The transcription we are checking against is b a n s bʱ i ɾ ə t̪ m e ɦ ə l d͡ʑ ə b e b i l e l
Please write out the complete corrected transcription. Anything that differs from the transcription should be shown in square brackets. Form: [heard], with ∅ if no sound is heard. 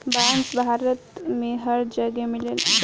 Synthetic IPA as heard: b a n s bʱ [a] ɾ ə t̪ m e ɦ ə [ɾ] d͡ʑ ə [ɡ] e [m] i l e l